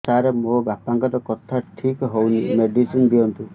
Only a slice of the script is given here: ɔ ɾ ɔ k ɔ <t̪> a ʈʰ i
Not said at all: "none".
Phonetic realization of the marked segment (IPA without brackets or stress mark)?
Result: t̪ʰ